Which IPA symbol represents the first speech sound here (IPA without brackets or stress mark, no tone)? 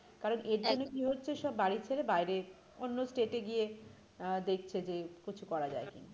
k